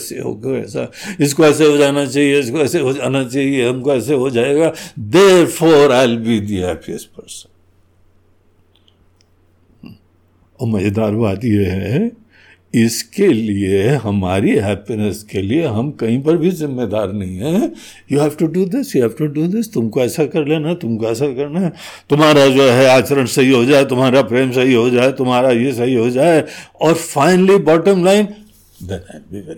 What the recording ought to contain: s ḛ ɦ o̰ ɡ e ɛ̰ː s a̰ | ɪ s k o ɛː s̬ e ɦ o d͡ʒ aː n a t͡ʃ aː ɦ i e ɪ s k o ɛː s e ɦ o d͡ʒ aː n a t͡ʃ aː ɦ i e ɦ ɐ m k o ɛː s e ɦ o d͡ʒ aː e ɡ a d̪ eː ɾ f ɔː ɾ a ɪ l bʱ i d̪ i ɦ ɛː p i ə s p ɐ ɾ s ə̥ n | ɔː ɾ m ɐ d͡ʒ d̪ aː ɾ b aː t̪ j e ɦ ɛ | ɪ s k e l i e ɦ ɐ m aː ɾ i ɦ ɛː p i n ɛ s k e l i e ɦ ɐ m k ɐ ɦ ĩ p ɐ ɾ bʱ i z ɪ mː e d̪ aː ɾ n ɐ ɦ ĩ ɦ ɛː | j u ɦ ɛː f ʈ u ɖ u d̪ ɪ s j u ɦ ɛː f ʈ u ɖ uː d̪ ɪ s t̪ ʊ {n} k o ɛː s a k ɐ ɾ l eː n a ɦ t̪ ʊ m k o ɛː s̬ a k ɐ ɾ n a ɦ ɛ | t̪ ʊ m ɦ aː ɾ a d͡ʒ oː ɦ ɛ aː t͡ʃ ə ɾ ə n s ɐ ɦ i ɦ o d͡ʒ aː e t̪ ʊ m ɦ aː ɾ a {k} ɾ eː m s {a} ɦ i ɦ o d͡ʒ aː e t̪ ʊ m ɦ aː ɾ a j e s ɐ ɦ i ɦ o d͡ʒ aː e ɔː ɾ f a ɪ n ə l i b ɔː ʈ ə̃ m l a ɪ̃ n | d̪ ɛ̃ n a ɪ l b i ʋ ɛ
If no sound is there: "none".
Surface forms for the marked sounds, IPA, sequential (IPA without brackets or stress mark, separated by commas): m, p, ɐ